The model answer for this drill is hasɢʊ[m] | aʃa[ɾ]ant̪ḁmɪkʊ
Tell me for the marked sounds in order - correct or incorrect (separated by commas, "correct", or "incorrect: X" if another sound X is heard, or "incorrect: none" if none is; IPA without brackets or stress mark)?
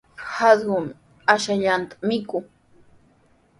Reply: correct, incorrect: ʎ